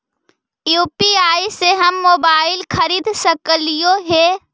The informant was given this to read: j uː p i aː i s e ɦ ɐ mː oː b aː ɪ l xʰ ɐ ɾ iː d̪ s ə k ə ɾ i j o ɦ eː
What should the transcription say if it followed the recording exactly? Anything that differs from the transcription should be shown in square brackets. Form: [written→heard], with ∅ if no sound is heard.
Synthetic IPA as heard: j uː p i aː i s e ɦ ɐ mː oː b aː ɪ l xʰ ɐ ɾ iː d̪ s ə k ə [ɾ→l] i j o ɦ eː